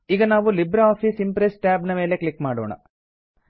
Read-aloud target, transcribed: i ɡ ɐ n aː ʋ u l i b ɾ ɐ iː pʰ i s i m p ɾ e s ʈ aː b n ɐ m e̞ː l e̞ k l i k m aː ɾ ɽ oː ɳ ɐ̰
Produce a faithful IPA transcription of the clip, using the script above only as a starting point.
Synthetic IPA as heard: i ɡ ɐ n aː ʋ u l i b ɾ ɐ aː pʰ i s i m p ɾ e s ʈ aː b n ɐ m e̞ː l e̞ k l i k m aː ɽ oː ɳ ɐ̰